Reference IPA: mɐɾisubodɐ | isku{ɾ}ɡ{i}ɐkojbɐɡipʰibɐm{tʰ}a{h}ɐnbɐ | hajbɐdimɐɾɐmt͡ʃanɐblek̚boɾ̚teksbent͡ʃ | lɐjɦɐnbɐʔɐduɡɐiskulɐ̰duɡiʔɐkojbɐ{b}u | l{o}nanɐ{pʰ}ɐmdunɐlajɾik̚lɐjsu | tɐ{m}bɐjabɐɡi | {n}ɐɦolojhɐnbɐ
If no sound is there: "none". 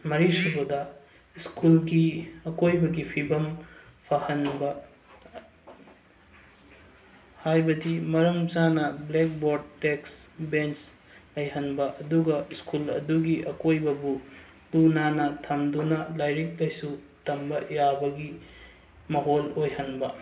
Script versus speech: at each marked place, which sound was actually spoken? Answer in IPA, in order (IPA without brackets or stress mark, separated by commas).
l, i, pʰ, h, b, u, tʰ, m, m